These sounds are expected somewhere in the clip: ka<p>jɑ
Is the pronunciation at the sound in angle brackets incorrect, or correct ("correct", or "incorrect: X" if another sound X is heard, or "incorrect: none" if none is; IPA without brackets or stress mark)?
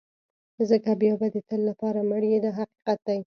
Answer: incorrect: b